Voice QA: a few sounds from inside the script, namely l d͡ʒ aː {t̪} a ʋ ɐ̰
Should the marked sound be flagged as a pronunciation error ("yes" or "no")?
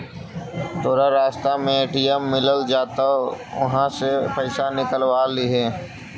no